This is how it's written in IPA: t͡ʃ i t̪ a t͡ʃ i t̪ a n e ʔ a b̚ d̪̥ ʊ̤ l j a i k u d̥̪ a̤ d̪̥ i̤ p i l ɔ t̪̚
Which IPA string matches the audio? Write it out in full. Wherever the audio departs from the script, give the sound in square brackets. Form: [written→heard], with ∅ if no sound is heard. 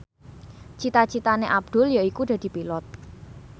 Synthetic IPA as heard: t͡ʃ i t̪ a t͡ʃ i t̪ a n e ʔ a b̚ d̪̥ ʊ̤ l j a i k u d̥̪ a̤ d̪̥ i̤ p i l ɔ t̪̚